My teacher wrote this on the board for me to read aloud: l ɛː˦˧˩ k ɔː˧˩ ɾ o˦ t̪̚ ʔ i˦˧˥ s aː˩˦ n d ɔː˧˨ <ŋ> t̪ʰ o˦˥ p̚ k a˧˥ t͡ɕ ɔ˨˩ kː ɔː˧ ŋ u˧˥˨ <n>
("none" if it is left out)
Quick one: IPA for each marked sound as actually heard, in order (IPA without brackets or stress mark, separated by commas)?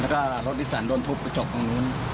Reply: n, n